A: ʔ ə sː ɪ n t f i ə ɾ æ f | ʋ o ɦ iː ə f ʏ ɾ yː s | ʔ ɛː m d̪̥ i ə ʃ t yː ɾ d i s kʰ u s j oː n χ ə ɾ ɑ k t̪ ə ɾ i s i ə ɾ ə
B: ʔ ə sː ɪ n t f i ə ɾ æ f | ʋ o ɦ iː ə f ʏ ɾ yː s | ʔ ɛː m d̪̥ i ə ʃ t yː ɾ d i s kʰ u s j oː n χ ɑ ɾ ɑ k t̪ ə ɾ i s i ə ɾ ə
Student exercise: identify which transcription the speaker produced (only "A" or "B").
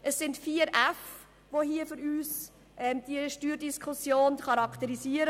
B